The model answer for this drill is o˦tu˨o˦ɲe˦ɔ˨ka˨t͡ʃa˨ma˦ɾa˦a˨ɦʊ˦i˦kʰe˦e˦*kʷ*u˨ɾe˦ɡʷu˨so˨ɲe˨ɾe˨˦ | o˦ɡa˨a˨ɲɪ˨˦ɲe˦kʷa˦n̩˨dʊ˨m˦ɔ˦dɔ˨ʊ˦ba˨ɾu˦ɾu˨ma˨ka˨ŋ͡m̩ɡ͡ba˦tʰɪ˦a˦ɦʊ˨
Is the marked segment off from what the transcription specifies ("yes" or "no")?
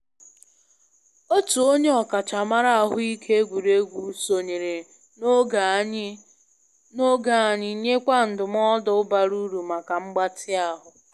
yes